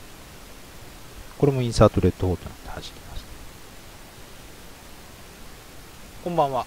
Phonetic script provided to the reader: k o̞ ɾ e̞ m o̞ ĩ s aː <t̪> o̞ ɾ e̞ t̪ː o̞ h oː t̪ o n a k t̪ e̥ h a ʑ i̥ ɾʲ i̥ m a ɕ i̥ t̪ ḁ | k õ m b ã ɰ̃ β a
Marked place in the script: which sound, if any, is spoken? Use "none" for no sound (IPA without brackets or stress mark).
t̪